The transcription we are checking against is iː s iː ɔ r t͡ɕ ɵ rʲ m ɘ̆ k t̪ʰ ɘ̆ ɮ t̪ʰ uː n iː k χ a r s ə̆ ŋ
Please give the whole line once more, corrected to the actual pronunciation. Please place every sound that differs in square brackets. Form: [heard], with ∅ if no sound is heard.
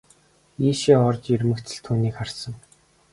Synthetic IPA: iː [ʃ] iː ɔ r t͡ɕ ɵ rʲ m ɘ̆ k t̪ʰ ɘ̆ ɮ t̪ʰ uː n iː k χ a r s ə̆ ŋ